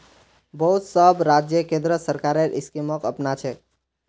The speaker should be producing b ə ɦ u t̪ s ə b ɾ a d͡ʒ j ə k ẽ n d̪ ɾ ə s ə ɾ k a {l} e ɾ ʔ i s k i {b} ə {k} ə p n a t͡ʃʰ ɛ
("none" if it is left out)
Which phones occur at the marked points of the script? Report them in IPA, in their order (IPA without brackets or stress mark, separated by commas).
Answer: ɾ, m, k